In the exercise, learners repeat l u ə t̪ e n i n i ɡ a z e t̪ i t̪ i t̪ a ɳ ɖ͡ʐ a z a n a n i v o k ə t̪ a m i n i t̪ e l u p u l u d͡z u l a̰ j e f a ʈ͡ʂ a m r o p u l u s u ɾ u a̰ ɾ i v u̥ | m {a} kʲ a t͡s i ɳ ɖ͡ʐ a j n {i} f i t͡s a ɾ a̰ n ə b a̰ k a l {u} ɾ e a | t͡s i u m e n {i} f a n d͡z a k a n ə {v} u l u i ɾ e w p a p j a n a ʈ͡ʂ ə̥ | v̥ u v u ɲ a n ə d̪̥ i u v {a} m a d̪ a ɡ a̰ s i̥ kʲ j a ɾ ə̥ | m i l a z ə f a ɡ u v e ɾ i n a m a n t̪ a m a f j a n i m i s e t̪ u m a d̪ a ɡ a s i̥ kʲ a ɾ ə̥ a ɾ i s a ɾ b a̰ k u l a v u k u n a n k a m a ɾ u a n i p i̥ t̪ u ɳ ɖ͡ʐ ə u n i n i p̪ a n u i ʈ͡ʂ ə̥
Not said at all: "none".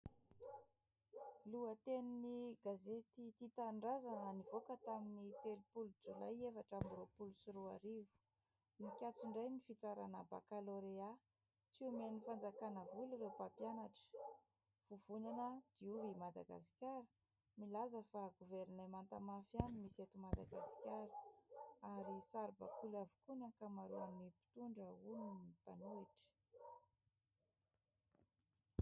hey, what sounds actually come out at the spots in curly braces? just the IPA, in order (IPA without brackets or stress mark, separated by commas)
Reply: i, i, o, i, v, i